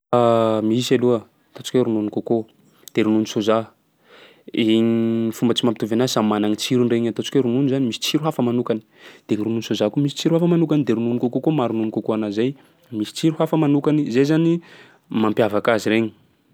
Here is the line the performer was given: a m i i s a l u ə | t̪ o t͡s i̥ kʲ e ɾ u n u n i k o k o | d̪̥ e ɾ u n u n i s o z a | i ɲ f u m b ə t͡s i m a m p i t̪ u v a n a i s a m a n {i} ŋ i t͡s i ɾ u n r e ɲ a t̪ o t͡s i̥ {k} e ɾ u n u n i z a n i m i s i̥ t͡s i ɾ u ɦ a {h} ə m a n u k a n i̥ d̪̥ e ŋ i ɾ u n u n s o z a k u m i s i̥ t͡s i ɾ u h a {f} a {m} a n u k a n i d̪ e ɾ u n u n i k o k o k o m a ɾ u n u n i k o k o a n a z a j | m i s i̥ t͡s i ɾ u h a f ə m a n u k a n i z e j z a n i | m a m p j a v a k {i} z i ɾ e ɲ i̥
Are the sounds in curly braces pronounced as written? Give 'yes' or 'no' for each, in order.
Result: no, yes, no, yes, yes, no

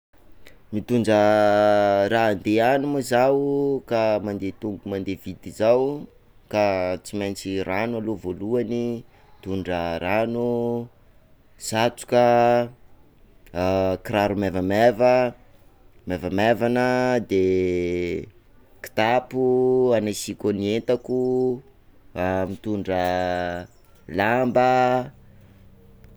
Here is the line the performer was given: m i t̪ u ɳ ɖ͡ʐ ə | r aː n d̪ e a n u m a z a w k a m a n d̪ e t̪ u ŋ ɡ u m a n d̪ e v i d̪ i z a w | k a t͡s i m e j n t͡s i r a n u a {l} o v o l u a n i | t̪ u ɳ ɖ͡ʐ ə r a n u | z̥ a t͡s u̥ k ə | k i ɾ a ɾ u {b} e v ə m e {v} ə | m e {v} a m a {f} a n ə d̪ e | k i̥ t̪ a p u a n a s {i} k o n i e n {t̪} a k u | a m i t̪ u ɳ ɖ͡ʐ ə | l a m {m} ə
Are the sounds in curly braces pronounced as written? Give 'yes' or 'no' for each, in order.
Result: yes, no, yes, yes, no, yes, yes, no

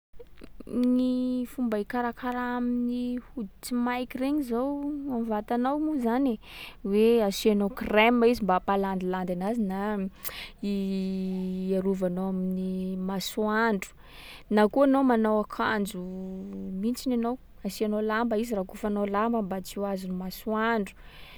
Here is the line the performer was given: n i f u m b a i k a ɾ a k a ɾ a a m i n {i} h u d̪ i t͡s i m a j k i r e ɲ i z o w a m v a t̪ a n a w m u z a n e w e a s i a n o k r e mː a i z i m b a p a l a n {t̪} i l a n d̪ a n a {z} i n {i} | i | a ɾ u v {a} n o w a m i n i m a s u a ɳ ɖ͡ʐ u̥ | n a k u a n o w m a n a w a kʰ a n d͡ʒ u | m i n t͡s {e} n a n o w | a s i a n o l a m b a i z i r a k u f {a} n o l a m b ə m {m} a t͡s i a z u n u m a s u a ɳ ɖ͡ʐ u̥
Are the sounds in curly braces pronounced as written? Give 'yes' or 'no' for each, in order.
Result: yes, no, yes, no, yes, no, yes, no

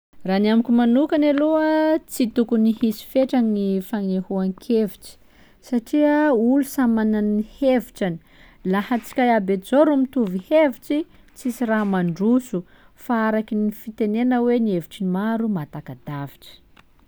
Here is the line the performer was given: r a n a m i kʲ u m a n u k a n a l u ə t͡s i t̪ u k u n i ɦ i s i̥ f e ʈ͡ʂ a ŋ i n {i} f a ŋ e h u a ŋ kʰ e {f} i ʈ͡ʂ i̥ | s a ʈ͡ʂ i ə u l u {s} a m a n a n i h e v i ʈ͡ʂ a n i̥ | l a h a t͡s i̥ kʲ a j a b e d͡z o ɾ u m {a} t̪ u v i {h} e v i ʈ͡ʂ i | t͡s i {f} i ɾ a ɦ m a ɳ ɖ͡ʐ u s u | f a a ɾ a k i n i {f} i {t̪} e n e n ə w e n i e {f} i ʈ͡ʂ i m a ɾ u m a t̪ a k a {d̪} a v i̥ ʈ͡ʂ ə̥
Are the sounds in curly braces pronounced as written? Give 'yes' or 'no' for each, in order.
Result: yes, no, yes, no, yes, no, yes, yes, no, yes

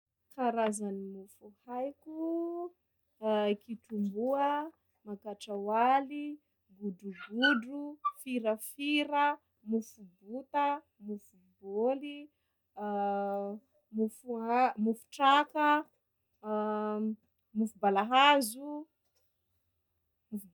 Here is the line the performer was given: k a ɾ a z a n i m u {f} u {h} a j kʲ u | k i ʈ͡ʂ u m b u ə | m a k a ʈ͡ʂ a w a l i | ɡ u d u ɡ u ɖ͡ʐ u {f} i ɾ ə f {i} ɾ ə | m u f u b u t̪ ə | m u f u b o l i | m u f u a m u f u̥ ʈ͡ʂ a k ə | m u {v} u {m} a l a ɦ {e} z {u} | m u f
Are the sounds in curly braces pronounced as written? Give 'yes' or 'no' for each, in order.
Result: yes, yes, yes, yes, no, no, no, yes

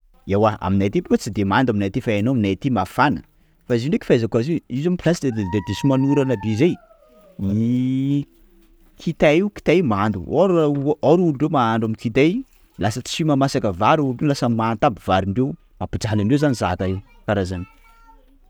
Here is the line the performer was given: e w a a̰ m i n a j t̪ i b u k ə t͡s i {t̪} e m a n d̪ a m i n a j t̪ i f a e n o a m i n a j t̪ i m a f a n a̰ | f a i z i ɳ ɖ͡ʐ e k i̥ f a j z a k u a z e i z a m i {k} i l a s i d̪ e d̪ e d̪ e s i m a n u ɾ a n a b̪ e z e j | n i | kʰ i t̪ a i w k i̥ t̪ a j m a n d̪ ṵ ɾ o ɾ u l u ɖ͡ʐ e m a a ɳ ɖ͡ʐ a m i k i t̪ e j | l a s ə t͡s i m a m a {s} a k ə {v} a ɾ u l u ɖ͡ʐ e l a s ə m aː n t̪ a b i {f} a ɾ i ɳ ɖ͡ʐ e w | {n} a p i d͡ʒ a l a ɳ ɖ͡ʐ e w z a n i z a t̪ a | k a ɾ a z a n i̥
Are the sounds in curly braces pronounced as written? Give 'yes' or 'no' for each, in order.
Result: no, no, yes, yes, no, no

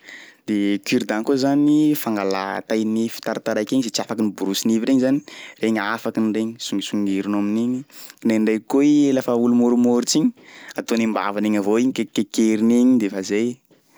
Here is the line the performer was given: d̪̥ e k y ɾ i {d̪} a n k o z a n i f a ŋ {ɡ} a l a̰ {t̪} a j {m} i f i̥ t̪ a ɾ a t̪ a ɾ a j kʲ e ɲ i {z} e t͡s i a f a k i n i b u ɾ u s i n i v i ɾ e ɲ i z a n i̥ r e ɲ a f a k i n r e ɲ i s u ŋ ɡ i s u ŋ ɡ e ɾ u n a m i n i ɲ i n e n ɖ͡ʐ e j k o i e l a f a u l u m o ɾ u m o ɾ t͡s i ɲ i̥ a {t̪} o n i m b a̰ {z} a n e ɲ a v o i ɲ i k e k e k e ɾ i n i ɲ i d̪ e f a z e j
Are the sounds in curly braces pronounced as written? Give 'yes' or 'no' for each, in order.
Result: yes, yes, yes, no, yes, yes, no

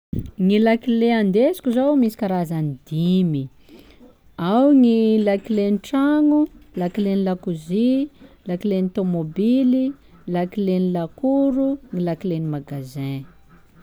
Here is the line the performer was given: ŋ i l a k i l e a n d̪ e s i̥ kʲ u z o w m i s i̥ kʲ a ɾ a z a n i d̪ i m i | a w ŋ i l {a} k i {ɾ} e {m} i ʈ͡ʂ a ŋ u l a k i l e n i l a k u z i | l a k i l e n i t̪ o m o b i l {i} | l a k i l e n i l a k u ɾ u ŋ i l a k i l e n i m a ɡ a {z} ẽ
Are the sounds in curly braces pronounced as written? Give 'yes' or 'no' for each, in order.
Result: yes, no, no, yes, yes

